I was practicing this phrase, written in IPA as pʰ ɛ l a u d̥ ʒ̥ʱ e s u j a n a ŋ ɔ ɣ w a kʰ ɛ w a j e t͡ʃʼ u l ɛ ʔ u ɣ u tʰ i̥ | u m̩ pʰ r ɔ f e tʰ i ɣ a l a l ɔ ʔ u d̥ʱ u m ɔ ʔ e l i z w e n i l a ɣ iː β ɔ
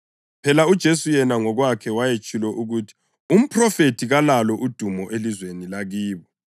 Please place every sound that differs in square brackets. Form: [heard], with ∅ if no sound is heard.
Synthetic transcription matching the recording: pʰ ɛ l a u d̥ ʒ̥ʱ e s u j [ɛ] n a ŋ ɔ ɣ w a kʰ ɛ w a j e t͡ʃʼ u l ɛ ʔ u ɣ u tʰ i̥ | u m̩ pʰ r ɔ f e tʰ i ɣ a l a l ɔ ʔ u d̥ʱ u m ɔ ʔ e l i z w e n i l a ɣ iː β ɔ

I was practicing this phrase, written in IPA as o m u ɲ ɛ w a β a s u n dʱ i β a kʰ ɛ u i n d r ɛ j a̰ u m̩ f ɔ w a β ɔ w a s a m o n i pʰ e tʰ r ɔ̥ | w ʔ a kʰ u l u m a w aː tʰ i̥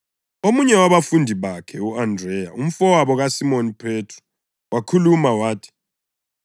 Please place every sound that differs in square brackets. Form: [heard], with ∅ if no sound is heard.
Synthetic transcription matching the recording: o m u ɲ ɛ w a β a [f] u n dʱ i β a kʰ ɛ u [a] n d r ɛ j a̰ u m̩ f ɔ w a β ɔ [ɣ] a s [i] m o n i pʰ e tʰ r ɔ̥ | w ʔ a kʰ u l u m a w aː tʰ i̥

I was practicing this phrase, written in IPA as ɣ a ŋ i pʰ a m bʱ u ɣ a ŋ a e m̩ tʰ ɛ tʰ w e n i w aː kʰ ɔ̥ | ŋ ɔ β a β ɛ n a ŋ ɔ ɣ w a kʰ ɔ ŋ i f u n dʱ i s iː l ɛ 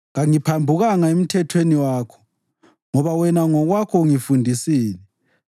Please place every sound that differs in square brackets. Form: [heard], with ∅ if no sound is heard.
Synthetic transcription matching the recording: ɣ a ŋ i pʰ a m bʱ u ɣ a ŋ a e m̩ tʰ ɛ tʰ w e n i w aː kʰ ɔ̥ | ŋ ɔ β a [w] ɛ n a ŋ ɔ ɣ w a kʰ ɔ ŋ i f u n dʱ i s iː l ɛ

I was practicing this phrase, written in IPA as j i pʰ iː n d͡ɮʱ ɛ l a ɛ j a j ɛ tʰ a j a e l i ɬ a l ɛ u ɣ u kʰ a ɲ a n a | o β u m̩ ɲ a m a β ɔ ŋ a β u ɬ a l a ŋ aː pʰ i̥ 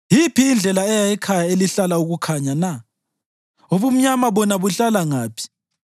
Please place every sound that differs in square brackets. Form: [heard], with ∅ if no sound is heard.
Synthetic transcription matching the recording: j i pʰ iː n d͡ɮʱ ɛ l a ɛ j a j ɛ [kʰ] a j a e l i ɬ a l [a] u ɣ u kʰ a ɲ a n a | o β u m̩ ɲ a m a β ɔ [n] a β u ɬ a l a ŋ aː pʰ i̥

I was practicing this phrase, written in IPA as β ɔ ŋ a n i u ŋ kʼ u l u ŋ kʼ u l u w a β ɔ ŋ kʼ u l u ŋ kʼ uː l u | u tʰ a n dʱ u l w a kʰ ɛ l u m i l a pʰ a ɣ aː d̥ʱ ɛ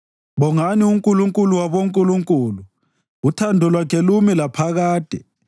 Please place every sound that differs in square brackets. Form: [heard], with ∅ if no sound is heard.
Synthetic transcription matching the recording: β ɔ ŋ a n i u ŋ kʼ u l u ŋ kʼ u l u w a β [o] ŋ kʼ u l u ŋ kʼ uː l u | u tʰ a n dʱ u l w a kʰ ɛ l u m i l a pʰ a ɣ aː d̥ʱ ɛ

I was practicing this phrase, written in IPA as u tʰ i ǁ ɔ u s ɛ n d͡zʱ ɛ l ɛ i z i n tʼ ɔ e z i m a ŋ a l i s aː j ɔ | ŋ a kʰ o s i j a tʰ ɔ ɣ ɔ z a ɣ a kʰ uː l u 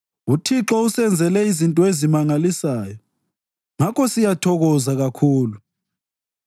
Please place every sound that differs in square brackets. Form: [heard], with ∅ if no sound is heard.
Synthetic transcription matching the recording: u tʰ i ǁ ɔ u s ɛ n d͡zʱ ɛ l ɛ i z i n tʼ ɔ e z i m a ŋ a l i s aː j ɔ | ŋ a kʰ [ɔ] s i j a tʰ ɔ ɣ ɔ z a ɣ a kʰ uː l u

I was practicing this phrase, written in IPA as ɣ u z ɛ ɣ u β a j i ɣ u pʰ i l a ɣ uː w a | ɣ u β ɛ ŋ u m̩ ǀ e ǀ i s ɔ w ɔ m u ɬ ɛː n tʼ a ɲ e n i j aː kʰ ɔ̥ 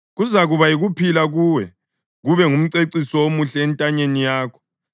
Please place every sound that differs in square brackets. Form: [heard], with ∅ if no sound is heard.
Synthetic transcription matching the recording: ɣ u z [a] ɣ u β a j i ɣ u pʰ i l a ɣ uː w [ɛ] | ɣ u β ɛ ŋ u m̩ ǀ e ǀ i s ɔ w [o] m u ɬ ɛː n tʼ a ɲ e n i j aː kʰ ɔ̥

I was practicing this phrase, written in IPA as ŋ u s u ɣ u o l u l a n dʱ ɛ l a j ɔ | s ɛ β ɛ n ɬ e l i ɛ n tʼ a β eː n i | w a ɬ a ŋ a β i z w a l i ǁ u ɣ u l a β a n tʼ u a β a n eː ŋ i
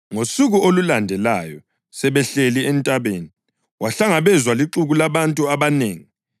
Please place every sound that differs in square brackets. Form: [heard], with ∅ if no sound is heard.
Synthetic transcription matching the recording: ŋ [o] s u ɣ u o l u l a n dʱ ɛ l a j ɔ | s ɛ β ɛ [∅] ɬ e l i ɛ n tʼ a β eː n i | w a ɬ a ŋ a β [ɛ] z w a l i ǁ u ɣ u l a β a n tʼ u a β a n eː ŋ i

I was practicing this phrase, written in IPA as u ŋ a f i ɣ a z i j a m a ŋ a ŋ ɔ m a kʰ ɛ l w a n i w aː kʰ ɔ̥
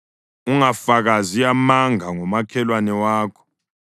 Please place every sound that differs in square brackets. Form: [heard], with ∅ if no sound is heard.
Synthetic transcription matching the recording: u ŋ a f [a] ɣ a z i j a m a ŋ a ŋ ɔ m a kʰ ɛ l w a n [ɛ] w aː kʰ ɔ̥

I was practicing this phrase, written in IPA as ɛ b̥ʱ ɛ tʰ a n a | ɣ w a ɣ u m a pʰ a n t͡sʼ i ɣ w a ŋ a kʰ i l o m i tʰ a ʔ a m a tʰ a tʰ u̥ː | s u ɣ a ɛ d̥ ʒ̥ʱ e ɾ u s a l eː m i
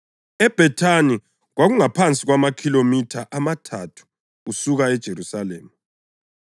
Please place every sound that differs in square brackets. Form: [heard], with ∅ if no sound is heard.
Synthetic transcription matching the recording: ɛ b̥ʱ ɛ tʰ a n [i] | ɣ w a ɣ u [ŋ] a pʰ a n t͡sʼ i ɣ w a [m] a kʰ i l o m i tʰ a ʔ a m a tʰ a tʰ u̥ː | s u ɣ a ɛ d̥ ʒ̥ʱ e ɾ u s a l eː m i

